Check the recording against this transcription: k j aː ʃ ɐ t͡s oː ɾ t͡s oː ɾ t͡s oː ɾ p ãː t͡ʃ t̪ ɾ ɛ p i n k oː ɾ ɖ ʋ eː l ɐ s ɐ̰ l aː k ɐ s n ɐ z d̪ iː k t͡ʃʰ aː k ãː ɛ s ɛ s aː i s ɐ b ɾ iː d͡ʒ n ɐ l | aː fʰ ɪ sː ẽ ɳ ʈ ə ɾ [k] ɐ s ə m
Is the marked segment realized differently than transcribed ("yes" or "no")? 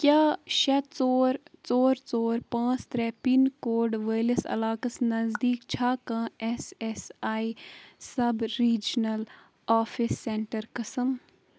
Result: no